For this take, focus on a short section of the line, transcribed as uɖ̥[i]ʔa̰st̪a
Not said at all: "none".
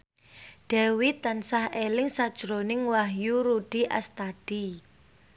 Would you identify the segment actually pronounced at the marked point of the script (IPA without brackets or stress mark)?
i